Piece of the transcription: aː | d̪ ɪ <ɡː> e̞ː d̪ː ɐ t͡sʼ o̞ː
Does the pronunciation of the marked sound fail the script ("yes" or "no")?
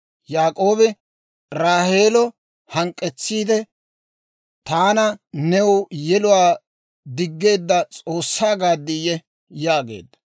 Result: no